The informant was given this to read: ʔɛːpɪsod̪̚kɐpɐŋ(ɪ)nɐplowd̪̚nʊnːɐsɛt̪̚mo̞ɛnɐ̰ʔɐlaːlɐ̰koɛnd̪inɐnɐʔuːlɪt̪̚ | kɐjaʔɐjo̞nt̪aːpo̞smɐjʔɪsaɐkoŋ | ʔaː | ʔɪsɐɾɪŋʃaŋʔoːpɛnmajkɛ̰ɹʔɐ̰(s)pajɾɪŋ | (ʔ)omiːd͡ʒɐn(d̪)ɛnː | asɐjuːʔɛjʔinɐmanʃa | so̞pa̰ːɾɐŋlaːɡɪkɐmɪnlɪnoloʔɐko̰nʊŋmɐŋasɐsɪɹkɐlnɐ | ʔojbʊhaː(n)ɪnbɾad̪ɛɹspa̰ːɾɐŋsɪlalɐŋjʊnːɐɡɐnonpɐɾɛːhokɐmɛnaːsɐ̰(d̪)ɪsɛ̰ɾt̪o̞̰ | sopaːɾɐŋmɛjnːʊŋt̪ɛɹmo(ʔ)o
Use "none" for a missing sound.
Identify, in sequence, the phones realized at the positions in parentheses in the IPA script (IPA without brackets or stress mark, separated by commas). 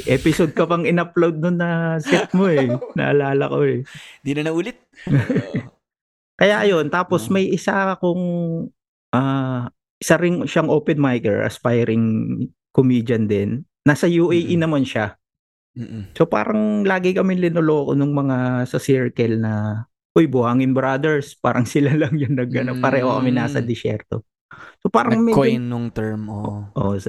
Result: ɪ, s, k, d̪, ŋ, d̪, ʔ